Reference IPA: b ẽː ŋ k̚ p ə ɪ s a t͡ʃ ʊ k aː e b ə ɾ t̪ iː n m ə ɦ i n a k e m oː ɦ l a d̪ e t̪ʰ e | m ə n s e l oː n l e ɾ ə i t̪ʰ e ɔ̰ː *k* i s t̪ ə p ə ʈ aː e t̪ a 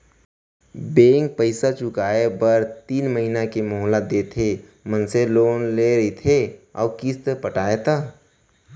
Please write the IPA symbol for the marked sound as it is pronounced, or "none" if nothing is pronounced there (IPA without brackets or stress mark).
k